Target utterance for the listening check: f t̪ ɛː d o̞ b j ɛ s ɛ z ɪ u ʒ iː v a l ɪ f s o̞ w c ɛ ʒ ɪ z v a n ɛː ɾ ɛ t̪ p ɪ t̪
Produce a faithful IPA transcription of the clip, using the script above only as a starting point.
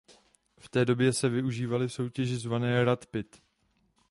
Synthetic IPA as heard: f t̪ ɛː d o̞ b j ɛ s ɛ v ɪ u ʒ iː v a l ɪ f s o̞ w c ɛ ʒ ɪ z v a n ɛː ɾ a t̪ p ɪ t̪